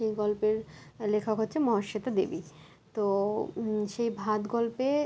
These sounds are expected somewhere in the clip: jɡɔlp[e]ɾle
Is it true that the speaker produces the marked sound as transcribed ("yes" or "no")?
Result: yes